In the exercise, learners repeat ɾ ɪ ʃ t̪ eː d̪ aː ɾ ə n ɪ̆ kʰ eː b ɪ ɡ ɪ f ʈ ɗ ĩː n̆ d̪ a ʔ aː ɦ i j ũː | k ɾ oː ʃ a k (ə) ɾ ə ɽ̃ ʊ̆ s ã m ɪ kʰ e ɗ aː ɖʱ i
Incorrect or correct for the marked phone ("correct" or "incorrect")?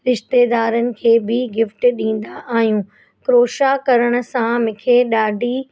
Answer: incorrect